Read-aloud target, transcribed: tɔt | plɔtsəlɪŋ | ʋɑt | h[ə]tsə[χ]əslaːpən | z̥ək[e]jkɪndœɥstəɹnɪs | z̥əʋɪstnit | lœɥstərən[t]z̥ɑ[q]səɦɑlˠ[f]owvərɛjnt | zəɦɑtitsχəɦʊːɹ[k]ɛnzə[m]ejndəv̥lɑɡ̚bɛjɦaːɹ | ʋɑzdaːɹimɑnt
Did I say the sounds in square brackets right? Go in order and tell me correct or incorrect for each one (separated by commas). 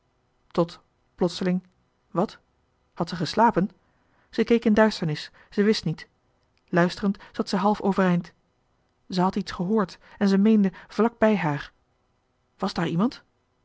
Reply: incorrect, correct, correct, correct, incorrect, correct, incorrect, correct